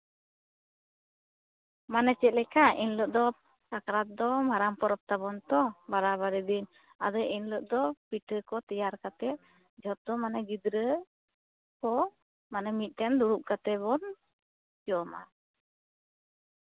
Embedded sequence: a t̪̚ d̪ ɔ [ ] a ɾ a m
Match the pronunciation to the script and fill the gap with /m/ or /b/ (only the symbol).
m